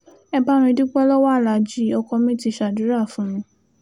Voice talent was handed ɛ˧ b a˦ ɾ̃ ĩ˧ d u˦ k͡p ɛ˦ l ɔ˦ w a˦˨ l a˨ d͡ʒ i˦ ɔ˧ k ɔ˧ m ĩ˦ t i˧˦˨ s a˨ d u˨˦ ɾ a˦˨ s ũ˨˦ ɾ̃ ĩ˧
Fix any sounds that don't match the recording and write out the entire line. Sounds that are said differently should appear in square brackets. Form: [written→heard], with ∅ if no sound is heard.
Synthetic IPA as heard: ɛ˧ b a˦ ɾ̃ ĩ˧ d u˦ k͡p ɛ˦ l ɔ˦ w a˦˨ l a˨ d͡ʒ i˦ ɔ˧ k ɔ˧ m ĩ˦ t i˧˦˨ [s→ʃ] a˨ d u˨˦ ɾ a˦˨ [s→f] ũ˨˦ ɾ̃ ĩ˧